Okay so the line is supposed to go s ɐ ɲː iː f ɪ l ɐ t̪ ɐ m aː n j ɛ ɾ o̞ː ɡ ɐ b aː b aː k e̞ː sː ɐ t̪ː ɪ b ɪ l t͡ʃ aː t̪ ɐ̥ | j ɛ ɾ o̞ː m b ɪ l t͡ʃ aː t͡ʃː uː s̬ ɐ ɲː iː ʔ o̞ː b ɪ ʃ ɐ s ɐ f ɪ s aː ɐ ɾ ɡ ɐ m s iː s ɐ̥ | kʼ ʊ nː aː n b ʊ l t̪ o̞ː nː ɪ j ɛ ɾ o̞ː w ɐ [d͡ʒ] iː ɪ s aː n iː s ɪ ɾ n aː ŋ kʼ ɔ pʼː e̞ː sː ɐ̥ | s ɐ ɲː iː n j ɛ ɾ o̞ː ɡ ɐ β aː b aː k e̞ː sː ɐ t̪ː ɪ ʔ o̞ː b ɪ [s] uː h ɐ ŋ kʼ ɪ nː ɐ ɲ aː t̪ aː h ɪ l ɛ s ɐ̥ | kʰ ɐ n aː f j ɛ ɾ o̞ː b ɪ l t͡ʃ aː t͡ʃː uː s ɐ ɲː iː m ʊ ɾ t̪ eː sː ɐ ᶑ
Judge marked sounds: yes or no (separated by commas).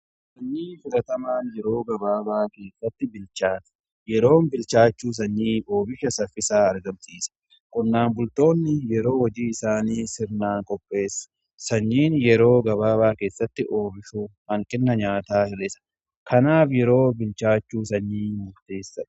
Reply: yes, no